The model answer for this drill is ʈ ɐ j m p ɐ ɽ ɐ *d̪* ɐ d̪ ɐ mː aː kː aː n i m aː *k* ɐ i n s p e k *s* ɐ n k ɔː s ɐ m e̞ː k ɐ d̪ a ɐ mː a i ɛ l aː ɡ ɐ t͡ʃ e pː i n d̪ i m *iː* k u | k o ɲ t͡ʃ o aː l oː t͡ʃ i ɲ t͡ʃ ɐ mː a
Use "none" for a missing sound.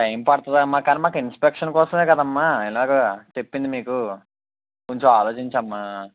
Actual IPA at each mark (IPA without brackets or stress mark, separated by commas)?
t̪, k, ʂ, iː